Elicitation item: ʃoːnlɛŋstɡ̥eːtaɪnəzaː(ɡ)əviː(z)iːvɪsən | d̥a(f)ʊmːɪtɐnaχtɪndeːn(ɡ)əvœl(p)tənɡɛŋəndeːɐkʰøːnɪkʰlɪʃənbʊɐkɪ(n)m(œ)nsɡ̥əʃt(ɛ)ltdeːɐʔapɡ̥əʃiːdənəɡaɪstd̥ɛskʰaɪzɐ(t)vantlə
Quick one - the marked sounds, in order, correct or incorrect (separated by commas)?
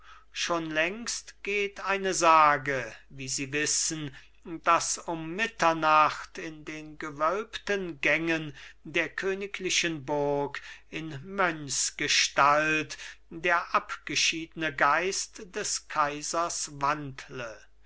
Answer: correct, correct, incorrect, correct, correct, correct, correct, incorrect, incorrect